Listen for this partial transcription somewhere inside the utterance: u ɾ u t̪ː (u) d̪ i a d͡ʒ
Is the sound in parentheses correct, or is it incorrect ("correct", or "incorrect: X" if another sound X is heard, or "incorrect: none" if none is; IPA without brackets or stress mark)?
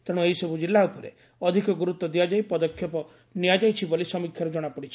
incorrect: ɔ